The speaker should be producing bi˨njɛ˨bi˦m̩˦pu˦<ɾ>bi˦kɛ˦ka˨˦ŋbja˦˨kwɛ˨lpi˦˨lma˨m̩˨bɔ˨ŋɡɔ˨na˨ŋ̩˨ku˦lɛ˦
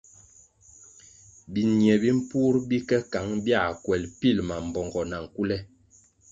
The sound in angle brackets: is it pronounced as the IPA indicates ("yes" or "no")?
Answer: yes